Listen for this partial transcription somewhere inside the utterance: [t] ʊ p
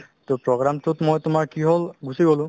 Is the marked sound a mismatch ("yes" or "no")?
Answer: no